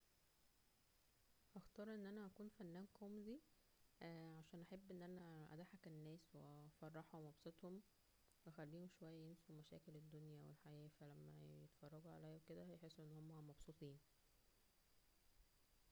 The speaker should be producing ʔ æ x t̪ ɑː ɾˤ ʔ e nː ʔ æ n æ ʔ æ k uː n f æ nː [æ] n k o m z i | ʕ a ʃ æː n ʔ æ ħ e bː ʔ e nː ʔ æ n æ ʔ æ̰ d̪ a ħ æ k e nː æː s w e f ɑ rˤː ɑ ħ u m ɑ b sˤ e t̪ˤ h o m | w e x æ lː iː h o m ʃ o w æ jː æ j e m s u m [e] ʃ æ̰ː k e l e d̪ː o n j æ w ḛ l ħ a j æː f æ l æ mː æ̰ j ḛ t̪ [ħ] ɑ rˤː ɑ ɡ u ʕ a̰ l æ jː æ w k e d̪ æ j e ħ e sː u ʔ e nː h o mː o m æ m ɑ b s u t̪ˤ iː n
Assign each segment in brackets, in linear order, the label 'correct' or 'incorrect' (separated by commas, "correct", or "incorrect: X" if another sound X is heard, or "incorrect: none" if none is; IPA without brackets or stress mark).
incorrect: æː, incorrect: æ, incorrect: f